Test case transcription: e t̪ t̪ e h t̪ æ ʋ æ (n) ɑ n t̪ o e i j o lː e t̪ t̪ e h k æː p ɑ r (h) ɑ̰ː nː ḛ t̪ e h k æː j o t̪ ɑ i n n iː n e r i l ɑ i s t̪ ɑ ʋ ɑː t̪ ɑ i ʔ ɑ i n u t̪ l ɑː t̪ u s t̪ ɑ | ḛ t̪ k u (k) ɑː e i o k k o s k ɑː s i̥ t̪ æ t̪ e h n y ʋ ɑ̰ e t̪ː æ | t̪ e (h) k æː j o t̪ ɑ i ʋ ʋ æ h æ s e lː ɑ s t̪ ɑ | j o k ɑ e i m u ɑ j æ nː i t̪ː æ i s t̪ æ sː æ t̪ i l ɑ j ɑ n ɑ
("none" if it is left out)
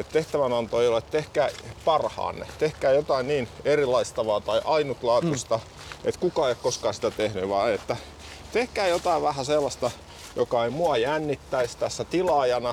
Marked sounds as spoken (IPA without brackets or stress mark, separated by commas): n, h, k, h